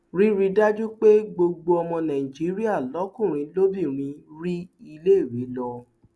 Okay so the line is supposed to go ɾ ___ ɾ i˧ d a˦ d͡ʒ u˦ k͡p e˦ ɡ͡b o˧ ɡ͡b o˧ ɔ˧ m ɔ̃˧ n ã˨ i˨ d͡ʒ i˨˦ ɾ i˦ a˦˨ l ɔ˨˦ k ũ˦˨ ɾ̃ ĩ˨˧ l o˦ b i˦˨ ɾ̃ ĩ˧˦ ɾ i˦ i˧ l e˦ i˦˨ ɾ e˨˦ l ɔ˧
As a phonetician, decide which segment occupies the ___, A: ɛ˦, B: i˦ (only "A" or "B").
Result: B